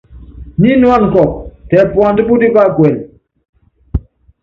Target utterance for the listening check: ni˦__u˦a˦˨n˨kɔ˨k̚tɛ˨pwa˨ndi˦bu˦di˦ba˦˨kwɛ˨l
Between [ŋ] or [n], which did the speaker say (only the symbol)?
n